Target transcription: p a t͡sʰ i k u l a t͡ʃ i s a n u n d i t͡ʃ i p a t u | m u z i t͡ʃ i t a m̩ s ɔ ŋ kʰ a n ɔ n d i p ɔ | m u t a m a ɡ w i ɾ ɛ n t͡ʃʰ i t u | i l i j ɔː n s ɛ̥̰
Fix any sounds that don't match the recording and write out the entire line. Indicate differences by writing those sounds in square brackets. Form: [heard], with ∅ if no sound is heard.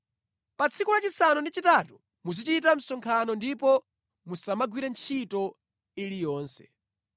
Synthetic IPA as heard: p a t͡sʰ i k u l a t͡ʃ i s a n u n d i t͡ʃ i [t] a t u | m u z i t͡ʃ i t a m̩ s ɔ ŋ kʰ a n ɔ n d i p ɔ | m u [s] a m a ɡ w i ɾ ɛ n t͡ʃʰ i t [ɔ] | i l i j ɔː n s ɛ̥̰